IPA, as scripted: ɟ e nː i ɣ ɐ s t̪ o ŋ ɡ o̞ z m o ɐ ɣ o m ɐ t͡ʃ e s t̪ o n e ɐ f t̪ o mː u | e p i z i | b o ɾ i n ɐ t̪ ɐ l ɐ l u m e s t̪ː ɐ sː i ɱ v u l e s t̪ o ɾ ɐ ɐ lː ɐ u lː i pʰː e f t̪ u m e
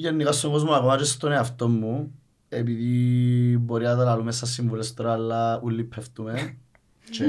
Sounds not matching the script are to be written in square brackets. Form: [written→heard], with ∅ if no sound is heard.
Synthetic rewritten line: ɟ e nː i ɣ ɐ s t̪ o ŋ ɡ o̞ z m [o→u] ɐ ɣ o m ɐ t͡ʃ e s t̪ o n e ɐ f t̪ o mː u | e p i [z→ð] i | b o ɾ i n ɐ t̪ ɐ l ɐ l u m e s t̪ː ɐ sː i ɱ v u l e s t̪ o ɾ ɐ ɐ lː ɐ u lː i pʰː e f t̪ u m e